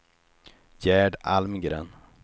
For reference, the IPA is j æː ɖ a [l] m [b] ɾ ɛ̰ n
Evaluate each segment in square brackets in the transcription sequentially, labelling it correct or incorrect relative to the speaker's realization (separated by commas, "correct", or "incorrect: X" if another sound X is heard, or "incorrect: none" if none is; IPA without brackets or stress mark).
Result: correct, incorrect: ɡ